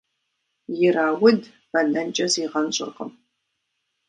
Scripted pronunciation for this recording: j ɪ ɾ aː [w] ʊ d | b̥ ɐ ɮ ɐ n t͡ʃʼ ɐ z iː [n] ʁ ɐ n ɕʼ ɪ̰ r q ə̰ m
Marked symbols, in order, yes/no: yes, no

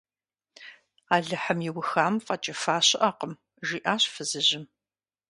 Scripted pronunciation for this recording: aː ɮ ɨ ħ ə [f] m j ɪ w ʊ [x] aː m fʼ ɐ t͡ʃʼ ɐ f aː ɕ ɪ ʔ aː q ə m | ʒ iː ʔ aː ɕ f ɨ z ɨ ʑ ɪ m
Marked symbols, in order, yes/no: no, yes

